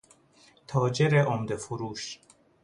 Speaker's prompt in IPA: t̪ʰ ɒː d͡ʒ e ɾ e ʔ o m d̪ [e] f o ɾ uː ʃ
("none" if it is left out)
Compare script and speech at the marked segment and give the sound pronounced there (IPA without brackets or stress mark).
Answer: e